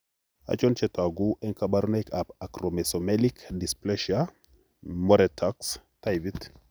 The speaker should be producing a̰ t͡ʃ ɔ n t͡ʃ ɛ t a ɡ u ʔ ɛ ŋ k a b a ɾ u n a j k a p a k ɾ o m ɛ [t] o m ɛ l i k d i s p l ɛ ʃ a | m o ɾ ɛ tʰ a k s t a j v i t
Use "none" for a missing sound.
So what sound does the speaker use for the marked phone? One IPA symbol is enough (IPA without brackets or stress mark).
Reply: s